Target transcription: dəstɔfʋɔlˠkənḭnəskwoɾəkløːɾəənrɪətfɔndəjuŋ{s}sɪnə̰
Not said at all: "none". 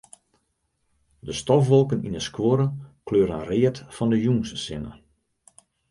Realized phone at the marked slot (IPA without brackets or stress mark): s